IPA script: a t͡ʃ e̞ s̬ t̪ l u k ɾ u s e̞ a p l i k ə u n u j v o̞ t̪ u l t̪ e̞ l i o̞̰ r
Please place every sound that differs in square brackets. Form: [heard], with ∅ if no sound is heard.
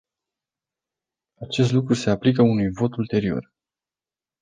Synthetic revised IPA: a t͡ʃ e̞ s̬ t̪ l u k ɾ u s e̞ a p l i k ə u n u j v o̞ t̪ u l t̪ e̞ [ɾ] i o̞̰ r

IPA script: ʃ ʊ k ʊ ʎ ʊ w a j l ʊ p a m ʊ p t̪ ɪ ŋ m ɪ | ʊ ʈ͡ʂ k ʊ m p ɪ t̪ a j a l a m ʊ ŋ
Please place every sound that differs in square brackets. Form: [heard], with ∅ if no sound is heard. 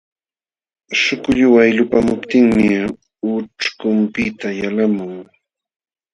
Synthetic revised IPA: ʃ ʊ k ʊ ʎ ʊ w a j l ʊ p a m ʊ p t̪ ɪ ŋ m ɪ | ʊ ʈ͡ʂ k ʊ m p ɪ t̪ a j a l a m ʊ ŋ

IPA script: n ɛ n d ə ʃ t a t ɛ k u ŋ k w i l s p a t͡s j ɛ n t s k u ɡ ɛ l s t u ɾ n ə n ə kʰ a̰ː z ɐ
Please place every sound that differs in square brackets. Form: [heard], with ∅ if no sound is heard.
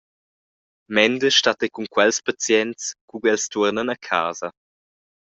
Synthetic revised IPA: [m] ɛ n d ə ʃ t a t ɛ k u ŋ k w [ɛ] l s p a t͡s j ɛ n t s k u ɡ ɛ l s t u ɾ n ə n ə kʰ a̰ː z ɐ

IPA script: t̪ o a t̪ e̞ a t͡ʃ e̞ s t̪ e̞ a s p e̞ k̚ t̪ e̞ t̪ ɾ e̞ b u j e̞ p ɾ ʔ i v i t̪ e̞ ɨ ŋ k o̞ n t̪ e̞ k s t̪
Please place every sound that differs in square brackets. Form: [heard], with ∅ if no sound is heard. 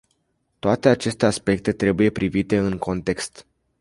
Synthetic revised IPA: t̪ o a t̪ e̞ a t͡ʃ e̞ s t̪ e̞ a s p e̞ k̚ t̪ e̞ t̪ ɾ e̞ b u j e̞ p ɾ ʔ i v i t̪ e̞ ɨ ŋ k o̞ n t̪ e̞ k s t̪

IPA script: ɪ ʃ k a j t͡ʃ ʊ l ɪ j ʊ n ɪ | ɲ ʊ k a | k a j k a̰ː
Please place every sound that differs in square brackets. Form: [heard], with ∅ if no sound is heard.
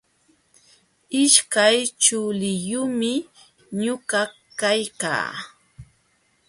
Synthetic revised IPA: ɪ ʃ k a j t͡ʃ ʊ l ɪ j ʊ [m] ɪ | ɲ ʊ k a | k a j k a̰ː

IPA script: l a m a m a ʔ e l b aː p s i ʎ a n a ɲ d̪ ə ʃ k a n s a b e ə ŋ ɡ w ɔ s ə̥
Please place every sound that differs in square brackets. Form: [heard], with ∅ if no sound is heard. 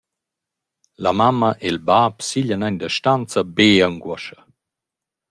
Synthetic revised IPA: l a m a m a ʔ e l b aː p s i ʎ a n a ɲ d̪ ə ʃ [t] a n [t͡s] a b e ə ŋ ɡ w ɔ [ʃ] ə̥

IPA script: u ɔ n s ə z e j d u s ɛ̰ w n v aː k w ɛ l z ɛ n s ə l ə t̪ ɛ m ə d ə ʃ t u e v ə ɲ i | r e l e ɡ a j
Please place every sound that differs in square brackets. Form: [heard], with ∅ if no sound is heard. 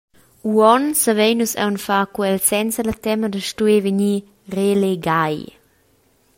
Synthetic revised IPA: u ɔ n s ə [v] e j [n] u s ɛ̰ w n [f] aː k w ɛ l [s] ɛ n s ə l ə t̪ ɛ m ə d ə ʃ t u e v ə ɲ i | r e l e ɡ a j

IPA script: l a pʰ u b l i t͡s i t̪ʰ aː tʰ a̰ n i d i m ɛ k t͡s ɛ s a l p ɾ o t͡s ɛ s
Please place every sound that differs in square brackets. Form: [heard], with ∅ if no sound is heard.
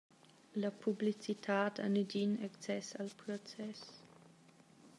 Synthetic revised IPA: l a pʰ u b l i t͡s i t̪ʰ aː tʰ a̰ n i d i [n] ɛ k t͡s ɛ s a l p ɾ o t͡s ɛ s

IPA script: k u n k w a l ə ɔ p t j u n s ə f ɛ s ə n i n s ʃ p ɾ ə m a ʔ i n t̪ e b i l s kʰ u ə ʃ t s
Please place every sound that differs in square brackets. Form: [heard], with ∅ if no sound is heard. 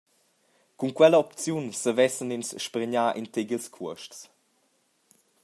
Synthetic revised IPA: k u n k w [ɛ] l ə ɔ p [t͡s] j u n s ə [v] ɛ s ə n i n s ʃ p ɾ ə [ɲ] a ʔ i n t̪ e [ɡ] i l s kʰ u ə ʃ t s

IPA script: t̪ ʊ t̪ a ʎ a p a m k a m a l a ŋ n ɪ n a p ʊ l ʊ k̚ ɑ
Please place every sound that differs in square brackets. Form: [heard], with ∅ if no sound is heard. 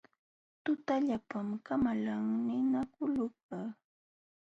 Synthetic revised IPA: t̪ ʊ t̪ a ʎ a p a m k a m a l a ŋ n ɪ n a [k] ʊ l ʊ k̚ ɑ

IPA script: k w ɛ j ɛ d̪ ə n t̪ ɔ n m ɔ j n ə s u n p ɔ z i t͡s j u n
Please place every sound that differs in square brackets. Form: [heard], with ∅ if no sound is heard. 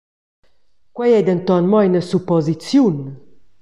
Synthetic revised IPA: k w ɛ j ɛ d̪ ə n t̪ ɔ n m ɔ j n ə s u [∅] p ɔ z i t͡s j u n

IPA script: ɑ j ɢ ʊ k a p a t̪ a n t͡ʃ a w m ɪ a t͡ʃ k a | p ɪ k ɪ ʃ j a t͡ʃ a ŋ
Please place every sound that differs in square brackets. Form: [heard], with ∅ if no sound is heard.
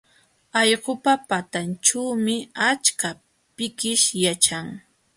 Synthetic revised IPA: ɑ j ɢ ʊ [p] a p a t̪ a n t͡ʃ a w m ɪ a t͡ʃ k a | p ɪ k ɪ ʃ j a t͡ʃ a ŋ

